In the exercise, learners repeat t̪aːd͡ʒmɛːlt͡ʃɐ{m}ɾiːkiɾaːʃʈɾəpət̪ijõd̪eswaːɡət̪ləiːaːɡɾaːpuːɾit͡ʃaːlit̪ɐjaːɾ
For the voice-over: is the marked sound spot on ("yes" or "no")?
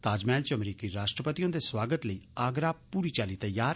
yes